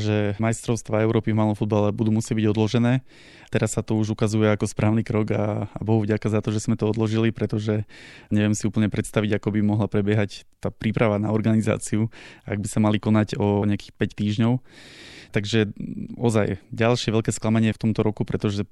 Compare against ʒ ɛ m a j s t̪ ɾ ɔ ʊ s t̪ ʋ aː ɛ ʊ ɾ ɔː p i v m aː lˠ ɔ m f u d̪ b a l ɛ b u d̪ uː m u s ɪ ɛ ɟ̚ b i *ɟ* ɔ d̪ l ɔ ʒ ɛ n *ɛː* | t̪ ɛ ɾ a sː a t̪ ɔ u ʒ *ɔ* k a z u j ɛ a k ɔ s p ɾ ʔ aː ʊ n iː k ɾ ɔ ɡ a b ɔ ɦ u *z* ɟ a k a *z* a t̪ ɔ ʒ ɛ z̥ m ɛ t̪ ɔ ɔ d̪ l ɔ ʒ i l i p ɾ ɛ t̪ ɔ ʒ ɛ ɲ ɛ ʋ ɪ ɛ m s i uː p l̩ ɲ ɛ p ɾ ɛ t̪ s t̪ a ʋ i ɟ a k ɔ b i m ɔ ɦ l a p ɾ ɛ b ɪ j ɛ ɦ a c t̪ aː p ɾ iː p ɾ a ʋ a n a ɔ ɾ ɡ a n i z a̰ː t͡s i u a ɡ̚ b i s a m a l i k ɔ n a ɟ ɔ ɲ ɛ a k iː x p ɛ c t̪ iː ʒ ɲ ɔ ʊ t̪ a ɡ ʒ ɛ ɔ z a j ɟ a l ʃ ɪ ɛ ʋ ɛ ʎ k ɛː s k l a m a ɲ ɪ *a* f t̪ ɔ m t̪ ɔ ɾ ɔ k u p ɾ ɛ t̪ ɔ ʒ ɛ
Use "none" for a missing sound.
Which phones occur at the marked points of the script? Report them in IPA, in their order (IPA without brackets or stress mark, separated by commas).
ɟ, ɛː, u, v, z, ɛ